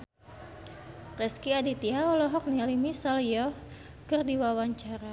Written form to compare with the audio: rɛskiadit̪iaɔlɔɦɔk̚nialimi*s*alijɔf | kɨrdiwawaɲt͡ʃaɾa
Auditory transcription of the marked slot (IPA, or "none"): s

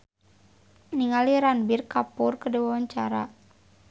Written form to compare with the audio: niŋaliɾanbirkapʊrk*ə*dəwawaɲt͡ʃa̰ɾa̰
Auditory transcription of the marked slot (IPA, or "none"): ə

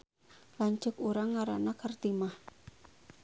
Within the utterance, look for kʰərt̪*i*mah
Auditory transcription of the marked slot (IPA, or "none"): i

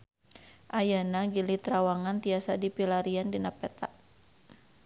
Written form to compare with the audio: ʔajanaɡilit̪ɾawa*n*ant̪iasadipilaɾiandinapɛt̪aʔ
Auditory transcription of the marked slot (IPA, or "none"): ŋ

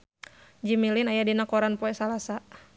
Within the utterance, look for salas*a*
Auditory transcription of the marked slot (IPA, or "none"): a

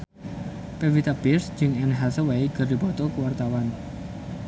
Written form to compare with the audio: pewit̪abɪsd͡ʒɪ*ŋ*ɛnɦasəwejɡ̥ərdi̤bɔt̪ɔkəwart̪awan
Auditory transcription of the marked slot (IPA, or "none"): ŋ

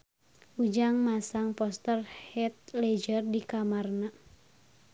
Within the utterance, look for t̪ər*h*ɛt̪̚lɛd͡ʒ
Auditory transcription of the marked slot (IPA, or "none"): h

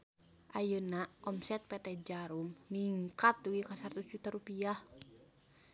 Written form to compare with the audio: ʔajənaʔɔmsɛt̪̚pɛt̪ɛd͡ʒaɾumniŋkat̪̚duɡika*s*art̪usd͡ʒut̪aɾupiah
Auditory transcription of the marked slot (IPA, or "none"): s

